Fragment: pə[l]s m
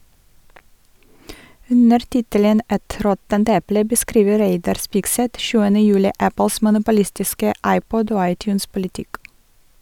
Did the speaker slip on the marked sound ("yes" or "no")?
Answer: no